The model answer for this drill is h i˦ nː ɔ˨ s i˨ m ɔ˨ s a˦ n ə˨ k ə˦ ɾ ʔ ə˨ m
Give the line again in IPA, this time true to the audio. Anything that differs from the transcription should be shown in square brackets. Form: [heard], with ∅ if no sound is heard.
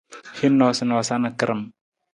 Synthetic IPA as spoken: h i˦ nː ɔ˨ s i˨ [n] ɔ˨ s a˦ n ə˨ k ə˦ ɾ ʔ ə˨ m